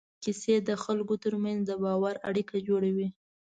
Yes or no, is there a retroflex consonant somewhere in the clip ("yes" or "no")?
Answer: yes